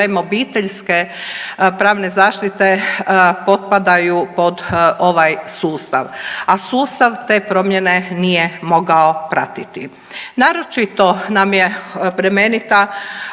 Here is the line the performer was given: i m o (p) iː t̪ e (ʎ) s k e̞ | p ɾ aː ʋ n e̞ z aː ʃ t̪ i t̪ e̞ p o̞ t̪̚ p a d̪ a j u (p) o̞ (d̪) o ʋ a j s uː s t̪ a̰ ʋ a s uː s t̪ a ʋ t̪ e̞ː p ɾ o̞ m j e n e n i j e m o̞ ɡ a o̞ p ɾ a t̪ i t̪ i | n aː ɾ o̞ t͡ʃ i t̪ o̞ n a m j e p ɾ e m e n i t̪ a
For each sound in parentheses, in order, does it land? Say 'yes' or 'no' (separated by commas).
no, yes, yes, yes